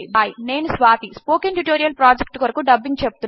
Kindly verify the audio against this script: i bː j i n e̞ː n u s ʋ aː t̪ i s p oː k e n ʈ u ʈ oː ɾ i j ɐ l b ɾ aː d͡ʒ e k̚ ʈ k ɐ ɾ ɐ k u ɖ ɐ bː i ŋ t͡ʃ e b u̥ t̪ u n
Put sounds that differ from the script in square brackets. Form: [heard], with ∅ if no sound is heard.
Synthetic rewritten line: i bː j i n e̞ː n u s ʋ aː t̪ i s p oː k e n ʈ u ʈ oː ɾ i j ɐ l [p] ɾ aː d͡ʒ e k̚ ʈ k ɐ ɾ ɐ k u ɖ ɐ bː i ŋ t͡ʃ e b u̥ t̪ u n